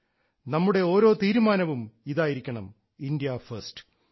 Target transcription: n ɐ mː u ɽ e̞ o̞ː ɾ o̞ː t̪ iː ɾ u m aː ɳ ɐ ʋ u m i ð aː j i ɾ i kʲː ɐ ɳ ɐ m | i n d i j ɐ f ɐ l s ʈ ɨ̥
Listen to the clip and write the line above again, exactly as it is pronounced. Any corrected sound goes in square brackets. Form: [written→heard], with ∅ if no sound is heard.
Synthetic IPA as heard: n ɐ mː u ɽ e̞ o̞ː ɾ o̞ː t̪ iː ɾ u m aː [ɳ→n] ɐ ʋ u m i ð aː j i ɾ i kʲː ɐ ɳ ɐ m | i n d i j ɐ f ɐ [l→r] s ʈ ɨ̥